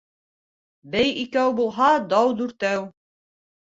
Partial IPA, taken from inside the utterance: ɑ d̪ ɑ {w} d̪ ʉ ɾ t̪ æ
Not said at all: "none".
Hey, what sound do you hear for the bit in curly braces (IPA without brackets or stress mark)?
w